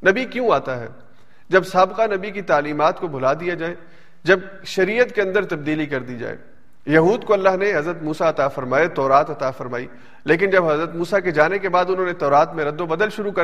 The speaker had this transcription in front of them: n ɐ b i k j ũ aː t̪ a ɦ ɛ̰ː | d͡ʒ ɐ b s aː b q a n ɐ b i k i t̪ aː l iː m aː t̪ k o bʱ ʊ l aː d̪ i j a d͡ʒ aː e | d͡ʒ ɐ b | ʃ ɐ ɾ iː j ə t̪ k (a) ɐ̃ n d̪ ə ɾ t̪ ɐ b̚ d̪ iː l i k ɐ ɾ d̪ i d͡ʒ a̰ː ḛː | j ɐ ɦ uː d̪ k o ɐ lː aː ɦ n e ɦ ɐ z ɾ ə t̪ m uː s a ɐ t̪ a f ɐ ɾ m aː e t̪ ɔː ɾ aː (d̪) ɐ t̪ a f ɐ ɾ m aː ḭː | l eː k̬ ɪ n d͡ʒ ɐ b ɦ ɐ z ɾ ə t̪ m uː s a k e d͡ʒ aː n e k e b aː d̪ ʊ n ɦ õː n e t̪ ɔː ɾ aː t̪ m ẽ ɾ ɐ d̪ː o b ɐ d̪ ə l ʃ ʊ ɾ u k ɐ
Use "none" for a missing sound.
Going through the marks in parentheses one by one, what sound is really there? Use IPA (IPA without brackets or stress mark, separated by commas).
e, t̪